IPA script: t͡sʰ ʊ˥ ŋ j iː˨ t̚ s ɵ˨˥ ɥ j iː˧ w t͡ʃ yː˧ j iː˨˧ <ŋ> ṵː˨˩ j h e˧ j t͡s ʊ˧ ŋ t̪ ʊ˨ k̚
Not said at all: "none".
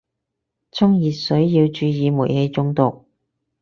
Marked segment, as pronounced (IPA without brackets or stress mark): m